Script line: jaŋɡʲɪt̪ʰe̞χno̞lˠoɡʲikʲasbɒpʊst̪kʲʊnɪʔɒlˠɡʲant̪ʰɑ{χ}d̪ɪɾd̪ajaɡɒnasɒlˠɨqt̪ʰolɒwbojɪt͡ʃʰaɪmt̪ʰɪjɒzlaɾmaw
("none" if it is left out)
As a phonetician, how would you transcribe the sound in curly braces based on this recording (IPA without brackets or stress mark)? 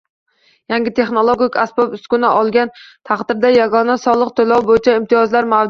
χ